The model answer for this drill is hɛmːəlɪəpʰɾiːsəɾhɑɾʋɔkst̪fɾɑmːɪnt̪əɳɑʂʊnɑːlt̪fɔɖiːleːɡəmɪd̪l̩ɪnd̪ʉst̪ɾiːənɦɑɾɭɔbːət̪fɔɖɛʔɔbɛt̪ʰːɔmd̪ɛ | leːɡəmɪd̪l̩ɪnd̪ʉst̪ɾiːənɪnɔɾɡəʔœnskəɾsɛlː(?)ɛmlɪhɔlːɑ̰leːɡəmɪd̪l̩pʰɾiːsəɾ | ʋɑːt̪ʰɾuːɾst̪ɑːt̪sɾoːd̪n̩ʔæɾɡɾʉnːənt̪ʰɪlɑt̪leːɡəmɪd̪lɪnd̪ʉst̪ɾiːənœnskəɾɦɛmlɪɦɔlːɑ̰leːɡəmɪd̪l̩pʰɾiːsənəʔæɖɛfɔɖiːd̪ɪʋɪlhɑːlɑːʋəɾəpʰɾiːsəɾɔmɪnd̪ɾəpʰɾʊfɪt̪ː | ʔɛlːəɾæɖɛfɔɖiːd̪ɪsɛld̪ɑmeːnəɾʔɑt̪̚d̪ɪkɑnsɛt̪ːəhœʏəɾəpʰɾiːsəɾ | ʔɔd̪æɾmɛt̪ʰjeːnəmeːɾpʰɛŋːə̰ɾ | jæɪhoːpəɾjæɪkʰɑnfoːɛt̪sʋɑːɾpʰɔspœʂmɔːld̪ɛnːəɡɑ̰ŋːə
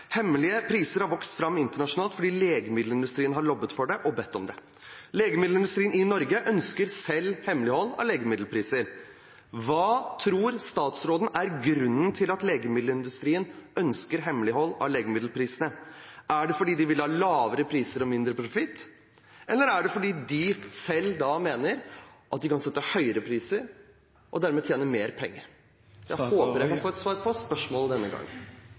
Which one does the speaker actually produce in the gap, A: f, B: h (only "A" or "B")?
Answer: B